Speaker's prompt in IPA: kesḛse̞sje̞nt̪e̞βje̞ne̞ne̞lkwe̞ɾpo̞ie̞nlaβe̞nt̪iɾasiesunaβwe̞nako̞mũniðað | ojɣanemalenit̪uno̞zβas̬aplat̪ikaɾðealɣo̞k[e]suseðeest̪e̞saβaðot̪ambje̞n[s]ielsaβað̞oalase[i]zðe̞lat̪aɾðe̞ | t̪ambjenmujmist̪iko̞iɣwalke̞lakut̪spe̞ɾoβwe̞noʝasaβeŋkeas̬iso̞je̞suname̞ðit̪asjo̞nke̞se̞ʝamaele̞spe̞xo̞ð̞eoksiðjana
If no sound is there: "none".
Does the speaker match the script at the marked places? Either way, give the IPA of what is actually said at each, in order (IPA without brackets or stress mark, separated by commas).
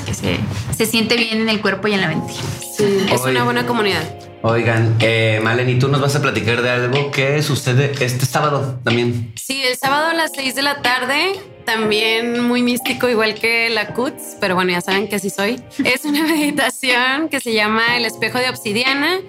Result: e, s, j